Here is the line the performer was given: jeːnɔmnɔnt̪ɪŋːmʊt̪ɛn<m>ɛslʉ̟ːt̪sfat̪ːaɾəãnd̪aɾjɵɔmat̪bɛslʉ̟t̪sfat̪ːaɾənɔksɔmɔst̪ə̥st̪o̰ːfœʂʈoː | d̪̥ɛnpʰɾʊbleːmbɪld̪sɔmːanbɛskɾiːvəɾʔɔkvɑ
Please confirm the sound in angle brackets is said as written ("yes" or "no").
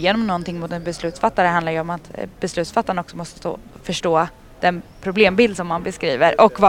no